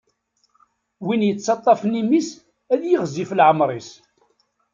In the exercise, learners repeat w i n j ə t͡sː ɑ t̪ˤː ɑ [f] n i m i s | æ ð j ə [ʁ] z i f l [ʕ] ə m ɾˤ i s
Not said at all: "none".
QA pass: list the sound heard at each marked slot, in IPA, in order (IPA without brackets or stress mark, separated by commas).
f, ʁ, ʕ